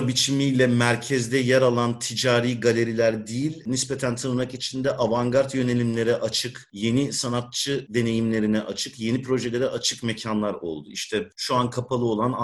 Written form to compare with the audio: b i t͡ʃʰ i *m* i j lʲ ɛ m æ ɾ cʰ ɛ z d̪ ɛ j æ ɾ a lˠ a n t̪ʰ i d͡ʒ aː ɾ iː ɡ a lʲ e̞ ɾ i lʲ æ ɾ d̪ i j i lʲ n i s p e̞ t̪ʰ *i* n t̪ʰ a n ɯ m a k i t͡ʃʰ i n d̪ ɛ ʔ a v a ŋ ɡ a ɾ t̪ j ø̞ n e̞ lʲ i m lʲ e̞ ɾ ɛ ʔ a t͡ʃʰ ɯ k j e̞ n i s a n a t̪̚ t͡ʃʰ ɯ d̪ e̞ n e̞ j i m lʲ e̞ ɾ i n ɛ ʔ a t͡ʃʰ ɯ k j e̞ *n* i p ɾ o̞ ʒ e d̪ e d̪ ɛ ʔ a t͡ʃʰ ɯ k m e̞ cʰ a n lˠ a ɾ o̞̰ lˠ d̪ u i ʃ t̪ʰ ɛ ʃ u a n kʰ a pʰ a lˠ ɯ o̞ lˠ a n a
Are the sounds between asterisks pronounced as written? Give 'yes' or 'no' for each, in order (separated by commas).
yes, no, yes